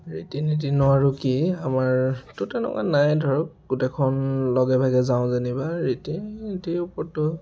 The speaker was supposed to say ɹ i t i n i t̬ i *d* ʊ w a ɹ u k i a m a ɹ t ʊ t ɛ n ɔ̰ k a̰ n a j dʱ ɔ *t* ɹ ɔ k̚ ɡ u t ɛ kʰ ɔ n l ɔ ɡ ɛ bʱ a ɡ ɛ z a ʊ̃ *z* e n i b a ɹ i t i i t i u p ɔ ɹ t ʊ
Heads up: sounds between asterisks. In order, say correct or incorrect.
incorrect: n, incorrect: none, correct

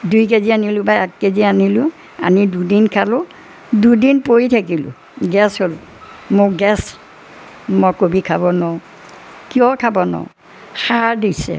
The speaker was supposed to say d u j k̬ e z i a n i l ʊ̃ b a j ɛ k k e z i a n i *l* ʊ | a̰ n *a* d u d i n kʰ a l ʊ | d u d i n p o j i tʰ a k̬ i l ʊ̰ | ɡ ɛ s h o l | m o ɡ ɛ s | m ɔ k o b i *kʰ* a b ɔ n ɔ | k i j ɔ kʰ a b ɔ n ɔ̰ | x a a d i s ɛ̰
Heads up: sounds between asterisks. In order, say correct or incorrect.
correct, incorrect: i, correct

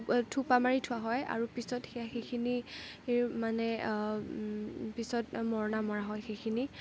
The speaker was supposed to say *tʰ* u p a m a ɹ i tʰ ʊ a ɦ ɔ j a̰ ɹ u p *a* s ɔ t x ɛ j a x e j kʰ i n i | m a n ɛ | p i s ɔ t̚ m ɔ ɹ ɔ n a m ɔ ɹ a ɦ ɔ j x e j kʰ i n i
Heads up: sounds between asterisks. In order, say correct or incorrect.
correct, incorrect: i

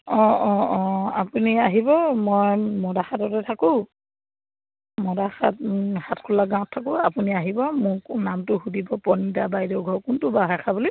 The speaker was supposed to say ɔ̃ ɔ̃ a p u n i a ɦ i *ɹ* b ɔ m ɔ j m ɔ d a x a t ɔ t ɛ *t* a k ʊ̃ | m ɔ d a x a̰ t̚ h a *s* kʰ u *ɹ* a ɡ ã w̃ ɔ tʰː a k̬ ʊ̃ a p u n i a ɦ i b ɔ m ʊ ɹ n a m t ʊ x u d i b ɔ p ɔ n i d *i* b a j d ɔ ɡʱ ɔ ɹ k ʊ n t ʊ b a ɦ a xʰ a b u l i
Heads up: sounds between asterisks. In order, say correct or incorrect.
incorrect: none, incorrect: tʰ, incorrect: t, incorrect: l, incorrect: a

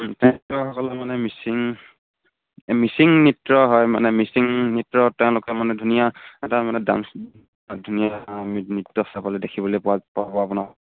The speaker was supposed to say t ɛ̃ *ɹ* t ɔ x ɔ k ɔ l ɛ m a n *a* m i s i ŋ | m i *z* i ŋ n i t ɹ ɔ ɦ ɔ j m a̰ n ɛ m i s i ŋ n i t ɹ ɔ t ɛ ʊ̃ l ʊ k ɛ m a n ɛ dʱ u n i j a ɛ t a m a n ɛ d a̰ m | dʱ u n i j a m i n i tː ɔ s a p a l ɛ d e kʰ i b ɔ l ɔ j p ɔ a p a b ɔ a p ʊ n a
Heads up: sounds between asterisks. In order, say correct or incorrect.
incorrect: none, incorrect: ɛ, incorrect: s

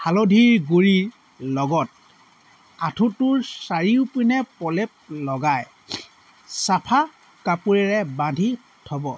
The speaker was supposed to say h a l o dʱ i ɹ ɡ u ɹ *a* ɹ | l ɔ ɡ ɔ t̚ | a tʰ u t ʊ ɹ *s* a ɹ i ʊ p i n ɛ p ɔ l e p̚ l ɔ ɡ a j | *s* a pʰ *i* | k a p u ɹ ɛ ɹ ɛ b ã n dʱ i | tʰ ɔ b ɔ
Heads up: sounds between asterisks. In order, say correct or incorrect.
incorrect: i, correct, correct, incorrect: a

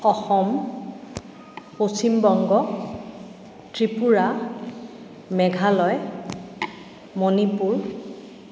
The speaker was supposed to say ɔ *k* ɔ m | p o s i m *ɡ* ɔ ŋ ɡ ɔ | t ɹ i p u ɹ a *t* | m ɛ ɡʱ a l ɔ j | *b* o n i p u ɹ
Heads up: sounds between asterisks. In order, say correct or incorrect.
incorrect: x, incorrect: b, incorrect: none, incorrect: m

